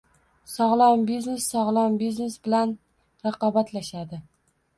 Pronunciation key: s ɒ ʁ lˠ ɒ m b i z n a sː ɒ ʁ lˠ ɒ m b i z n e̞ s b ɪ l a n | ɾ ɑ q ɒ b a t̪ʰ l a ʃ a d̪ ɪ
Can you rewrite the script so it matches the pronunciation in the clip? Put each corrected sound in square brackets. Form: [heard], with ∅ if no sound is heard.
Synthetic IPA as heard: s ɒ ʁ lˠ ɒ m b i z n [e] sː ɒ ʁ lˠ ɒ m b i z n e̞ s b ɪ l a n | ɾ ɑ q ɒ b a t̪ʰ l a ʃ a d̪ ɪ